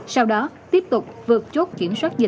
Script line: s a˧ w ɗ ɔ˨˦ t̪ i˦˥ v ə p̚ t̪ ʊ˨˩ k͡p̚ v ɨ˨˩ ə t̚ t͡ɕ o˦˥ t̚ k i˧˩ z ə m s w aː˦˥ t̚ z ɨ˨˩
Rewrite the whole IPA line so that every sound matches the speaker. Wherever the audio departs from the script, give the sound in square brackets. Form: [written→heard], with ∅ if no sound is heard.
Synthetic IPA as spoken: s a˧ w ɗ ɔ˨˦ t̪ i˦˥ [v→∅] ə p̚ t̪ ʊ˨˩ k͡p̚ v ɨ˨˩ ə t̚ t͡ɕ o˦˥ t̚ k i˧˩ [z→∅] ə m s w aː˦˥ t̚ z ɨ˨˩